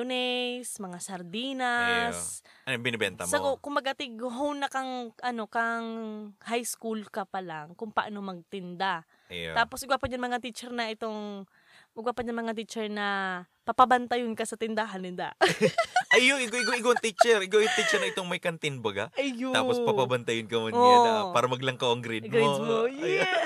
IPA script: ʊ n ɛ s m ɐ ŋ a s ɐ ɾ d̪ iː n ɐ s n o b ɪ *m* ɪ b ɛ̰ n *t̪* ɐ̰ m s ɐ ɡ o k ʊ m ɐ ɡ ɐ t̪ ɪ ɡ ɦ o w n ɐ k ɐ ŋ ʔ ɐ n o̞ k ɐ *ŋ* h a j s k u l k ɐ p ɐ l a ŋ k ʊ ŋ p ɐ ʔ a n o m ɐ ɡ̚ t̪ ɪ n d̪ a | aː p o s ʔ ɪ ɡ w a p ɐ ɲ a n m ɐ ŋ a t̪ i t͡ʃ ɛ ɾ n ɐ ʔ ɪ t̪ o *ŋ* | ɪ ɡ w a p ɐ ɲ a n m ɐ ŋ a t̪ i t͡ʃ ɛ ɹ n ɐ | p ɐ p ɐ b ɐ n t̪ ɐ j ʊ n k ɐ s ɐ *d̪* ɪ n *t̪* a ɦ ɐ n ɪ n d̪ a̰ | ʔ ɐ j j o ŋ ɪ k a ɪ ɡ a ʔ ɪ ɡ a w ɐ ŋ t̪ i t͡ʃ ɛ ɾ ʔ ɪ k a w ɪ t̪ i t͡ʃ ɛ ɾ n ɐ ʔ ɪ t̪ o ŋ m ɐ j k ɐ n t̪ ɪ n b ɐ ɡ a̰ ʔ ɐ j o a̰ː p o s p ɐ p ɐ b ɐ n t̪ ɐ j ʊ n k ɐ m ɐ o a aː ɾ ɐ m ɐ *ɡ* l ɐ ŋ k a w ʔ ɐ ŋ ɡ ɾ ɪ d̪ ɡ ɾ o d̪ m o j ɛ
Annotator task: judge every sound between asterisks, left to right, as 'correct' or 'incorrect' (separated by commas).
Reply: incorrect, correct, correct, correct, incorrect, incorrect, correct